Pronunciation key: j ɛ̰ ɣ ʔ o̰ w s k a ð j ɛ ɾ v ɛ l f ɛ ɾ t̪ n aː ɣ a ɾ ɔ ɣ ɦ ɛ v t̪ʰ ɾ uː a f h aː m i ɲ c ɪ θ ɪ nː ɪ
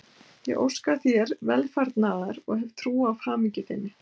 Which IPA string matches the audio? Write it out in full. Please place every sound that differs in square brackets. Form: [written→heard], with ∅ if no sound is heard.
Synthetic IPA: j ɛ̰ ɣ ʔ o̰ w s k a [ð→θ] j ɛ ɾ v ɛ l f [ɛ→a] ɾ t̪ n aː [ɣ→ð] a ɾ ɔ ɣ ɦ ɛ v t̪ʰ ɾ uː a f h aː m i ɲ c ɪ θ ɪ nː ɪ